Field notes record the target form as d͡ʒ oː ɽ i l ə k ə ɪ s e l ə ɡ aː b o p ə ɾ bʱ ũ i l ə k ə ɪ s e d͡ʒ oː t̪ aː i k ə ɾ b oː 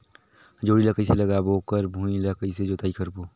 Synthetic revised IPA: d͡ʒ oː ɽ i l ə k ə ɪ s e l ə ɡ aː b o k ə ɾ bʱ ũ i l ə k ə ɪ s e d͡ʒ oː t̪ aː i k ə ɾ b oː